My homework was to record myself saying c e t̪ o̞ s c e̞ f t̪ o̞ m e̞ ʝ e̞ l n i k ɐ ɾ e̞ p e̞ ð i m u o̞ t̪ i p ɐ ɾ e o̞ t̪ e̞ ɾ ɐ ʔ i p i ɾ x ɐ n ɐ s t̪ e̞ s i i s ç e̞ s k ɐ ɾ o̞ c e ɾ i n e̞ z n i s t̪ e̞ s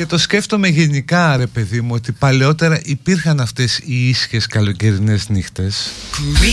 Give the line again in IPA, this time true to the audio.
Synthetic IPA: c e t̪ o̞ s c e̞ f t̪ o̞ m e̞ ʝ e̞ n i k ɐ ɾ e̞ p e̞ ð i m u o̞ t̪ i p ɐ l e o̞ t̪ e̞ ɾ ɐ ʔ i p i ɾ x ɐ n ɐ f t̪ e̞ s i i s ç e̞ s k ɐ l o̞ c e ɾ i n e̞ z n i x t̪ e̞ s